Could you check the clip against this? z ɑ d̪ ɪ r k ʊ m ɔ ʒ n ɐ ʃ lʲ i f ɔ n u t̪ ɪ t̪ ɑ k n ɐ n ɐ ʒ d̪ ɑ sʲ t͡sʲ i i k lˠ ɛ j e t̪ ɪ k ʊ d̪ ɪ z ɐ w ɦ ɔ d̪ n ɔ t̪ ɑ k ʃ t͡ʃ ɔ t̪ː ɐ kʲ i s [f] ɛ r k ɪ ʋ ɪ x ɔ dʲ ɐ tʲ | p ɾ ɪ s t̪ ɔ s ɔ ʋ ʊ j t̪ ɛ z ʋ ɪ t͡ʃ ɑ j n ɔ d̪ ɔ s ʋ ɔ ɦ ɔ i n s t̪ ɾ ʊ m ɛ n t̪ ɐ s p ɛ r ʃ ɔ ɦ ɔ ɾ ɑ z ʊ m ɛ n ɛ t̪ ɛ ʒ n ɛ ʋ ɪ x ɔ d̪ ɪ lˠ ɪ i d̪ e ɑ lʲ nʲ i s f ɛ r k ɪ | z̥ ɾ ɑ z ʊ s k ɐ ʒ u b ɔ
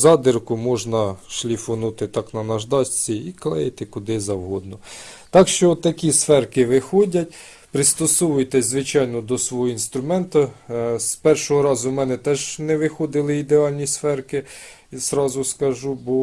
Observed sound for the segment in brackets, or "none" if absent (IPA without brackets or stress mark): f